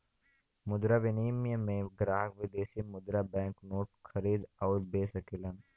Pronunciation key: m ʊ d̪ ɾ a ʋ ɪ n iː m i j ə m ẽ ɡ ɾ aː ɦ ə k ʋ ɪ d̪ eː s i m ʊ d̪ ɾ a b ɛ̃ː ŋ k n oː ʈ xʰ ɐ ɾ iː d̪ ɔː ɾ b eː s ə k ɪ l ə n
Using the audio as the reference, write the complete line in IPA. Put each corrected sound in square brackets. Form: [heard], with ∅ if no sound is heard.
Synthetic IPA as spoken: m ʊ d̪ ɾ a ʋ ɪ n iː m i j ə m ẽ ɡ ɾ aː ɦ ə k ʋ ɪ d̪ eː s i m ʊ d̪ ɾ a b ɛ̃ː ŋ k n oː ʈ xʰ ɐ ɾ iː d̪ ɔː ɾ b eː s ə k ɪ l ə n